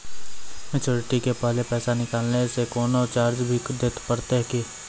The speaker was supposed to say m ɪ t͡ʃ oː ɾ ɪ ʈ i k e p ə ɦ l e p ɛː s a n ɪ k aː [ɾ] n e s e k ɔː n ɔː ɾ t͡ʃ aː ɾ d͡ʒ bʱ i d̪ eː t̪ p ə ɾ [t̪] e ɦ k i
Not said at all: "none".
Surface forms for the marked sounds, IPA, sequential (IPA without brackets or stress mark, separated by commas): l, t̪